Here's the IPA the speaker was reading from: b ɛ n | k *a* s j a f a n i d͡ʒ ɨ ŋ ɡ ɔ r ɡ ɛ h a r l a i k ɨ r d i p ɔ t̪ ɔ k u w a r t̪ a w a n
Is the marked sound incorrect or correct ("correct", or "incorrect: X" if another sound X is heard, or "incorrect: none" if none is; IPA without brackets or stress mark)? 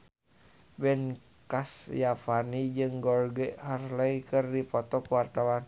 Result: correct